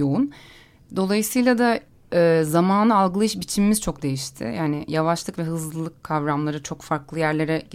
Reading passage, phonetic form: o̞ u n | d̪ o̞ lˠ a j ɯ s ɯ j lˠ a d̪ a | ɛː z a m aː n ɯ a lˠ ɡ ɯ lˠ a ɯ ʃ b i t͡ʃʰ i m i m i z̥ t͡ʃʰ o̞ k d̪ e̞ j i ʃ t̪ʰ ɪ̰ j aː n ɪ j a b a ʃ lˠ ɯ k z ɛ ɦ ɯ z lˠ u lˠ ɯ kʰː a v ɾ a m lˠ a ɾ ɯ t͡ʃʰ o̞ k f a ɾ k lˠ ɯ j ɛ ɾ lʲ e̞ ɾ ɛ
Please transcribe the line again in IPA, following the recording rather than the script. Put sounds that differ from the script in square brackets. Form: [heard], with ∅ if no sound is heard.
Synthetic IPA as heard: o̞ u n | d̪ o̞ lˠ a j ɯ s ɯ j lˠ a d̪ a | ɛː z a m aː n ɯ a lˠ ɡ ɯ lˠ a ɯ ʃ b i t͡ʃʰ i m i m i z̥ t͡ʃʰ o̞ k d̪ e̞ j i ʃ t̪ʰ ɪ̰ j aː n ɪ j a [v] a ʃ lˠ ɯ k [v] ɛ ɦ ɯ z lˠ [ɯ] lˠ ɯ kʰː a v ɾ a m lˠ a ɾ ɯ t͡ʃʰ o̞ k f a ɾ k lˠ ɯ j [æ] ɾ lʲ e̞ ɾ ɛ